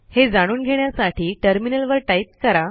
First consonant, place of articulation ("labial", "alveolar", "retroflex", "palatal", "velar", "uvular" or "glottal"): glottal